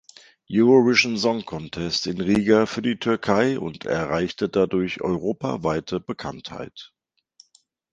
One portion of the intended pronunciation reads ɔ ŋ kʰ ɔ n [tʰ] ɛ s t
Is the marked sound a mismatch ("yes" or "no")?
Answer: no